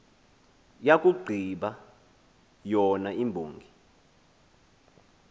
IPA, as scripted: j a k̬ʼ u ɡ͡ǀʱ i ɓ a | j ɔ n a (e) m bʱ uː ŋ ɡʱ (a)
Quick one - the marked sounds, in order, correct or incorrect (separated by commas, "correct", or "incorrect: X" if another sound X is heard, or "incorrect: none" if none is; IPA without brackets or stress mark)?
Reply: incorrect: i, incorrect: i